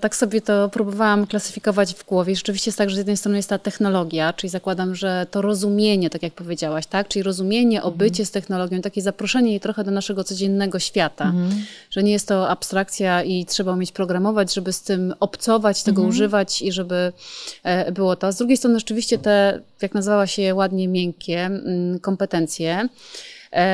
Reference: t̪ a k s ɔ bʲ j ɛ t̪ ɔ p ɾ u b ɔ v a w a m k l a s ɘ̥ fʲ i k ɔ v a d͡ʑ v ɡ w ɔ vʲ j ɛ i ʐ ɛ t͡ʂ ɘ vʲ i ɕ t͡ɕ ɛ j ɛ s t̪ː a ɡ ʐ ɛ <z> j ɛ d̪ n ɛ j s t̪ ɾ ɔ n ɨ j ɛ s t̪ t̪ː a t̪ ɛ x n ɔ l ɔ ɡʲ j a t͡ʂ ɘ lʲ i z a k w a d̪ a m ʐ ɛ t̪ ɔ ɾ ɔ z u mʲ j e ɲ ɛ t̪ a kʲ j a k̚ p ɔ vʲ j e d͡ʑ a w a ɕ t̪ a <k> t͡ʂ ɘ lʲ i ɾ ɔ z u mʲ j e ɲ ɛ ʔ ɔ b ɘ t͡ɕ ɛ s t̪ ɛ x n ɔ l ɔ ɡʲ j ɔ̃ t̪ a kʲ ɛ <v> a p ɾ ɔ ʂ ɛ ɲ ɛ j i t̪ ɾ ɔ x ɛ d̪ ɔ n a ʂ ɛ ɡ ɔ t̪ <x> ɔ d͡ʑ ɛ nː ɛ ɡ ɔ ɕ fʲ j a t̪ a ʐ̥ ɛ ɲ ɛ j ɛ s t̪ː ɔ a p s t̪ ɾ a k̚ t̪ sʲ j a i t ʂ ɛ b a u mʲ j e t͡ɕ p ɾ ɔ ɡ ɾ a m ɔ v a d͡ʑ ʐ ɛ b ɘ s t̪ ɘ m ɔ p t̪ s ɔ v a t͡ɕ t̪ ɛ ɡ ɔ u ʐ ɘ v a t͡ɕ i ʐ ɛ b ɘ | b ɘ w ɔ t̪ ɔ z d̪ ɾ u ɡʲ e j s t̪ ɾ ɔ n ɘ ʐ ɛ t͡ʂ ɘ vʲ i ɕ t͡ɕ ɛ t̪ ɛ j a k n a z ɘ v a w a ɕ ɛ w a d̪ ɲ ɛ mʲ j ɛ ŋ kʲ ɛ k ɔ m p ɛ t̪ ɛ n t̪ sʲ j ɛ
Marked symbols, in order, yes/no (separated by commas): yes, yes, no, no